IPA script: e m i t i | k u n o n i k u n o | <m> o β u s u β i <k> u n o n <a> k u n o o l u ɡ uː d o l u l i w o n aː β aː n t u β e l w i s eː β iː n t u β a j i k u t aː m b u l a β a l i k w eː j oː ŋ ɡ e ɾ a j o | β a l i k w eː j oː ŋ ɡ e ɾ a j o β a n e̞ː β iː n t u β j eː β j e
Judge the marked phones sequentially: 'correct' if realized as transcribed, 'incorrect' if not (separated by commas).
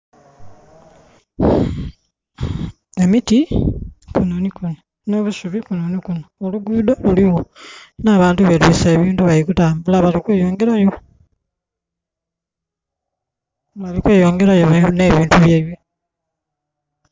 incorrect, correct, incorrect